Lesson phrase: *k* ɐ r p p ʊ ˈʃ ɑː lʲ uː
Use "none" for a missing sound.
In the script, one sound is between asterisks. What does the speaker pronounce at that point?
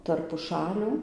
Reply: t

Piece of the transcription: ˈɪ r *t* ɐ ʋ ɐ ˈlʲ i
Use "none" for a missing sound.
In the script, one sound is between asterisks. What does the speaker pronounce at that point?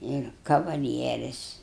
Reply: k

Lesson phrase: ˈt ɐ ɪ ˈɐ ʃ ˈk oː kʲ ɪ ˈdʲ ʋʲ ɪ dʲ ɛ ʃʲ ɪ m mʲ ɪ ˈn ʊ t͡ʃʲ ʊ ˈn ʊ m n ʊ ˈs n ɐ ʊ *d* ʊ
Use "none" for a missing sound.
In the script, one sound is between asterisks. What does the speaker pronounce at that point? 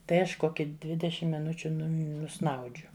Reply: d͡ʒʲ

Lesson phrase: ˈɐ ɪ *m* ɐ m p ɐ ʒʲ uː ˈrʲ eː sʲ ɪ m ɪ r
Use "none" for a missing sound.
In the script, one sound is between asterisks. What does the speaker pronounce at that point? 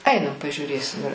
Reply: n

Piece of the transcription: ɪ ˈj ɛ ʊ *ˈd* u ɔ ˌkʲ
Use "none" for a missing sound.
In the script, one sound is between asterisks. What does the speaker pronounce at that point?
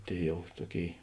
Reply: t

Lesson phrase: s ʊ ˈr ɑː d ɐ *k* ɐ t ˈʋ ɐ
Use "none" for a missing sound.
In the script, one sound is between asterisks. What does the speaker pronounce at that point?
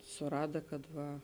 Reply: k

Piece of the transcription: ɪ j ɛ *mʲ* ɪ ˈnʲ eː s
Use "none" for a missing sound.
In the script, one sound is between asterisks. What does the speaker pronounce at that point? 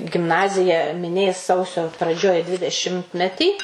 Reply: mʲ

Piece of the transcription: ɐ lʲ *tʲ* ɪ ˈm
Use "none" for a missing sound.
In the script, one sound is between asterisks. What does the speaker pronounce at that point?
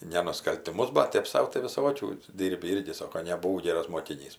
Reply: tʲ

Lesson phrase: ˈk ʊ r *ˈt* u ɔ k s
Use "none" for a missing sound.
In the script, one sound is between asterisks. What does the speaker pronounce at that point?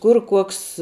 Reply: k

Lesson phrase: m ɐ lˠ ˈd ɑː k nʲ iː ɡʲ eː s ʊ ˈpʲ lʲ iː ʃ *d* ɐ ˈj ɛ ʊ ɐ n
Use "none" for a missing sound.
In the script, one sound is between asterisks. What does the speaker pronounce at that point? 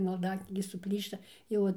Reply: t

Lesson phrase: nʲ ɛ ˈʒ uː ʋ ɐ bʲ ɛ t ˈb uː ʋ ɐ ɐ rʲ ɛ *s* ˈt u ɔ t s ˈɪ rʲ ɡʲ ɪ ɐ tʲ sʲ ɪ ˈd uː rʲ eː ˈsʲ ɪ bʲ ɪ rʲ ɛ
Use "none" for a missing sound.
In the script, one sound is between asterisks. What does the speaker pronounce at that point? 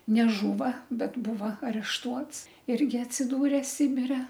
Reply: ʃ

